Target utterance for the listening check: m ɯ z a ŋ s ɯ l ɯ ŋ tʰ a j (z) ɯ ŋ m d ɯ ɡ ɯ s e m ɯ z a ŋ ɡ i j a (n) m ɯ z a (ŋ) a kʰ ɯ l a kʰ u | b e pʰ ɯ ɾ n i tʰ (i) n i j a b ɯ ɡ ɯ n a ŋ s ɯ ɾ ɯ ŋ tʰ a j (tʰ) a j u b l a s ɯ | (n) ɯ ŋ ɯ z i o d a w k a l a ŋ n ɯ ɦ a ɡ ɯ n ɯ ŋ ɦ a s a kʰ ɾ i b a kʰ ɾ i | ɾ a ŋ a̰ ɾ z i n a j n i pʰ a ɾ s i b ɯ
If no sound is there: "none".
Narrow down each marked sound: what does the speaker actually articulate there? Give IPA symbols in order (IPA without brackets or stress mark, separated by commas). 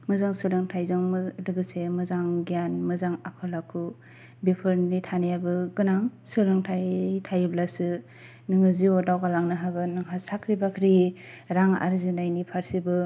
z, n, ŋ, a, tʰ, n